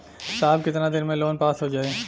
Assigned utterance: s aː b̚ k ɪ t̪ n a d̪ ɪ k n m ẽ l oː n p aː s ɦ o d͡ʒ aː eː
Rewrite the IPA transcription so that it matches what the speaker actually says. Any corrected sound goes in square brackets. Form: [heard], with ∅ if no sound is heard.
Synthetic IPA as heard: s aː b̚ k ɪ t̪ n a d̪ ɪ [∅] n m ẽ l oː n p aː s ɦ o d͡ʒ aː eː